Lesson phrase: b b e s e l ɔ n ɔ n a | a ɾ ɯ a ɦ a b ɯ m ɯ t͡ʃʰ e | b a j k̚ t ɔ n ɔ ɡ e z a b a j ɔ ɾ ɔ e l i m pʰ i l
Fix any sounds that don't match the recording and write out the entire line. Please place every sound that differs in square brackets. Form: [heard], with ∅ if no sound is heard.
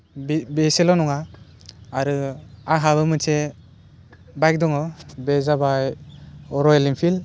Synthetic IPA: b b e s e l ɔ n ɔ [ŋ] a | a ɾ ɯ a ɦ a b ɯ m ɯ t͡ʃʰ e | b a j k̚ [d] ɔ [ŋ] ɔ [b] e z a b a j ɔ ɾ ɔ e l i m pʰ i l